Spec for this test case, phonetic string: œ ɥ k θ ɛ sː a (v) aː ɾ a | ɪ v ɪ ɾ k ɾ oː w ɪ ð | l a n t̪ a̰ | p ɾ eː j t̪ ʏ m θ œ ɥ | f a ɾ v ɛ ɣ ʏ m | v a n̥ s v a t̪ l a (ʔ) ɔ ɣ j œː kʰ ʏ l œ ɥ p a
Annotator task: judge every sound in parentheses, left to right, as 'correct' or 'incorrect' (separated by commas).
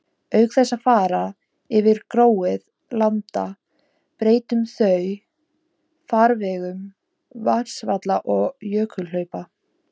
incorrect, correct